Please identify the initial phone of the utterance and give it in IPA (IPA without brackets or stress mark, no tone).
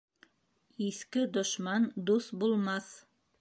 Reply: i